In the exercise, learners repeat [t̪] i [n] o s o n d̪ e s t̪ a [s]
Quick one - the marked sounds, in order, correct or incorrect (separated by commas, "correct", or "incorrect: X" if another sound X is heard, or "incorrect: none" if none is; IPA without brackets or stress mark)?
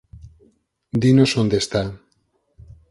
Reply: incorrect: d̪, correct, incorrect: none